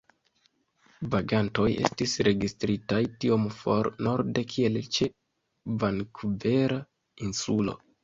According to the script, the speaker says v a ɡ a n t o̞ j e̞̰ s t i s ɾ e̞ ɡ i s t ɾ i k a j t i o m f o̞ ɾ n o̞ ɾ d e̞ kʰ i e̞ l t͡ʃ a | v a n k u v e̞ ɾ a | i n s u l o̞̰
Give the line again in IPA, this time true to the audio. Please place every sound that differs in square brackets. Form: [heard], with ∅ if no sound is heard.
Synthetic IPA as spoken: v a ɡ a n t o̞ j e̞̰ s t i s ɾ e̞ ɡ i s t ɾ i [t] a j t i o m f o̞ ɾ n o̞ ɾ d e̞ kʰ i e̞ l t͡ʃ [e] | v a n k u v e̞ ɾ a | i n s u l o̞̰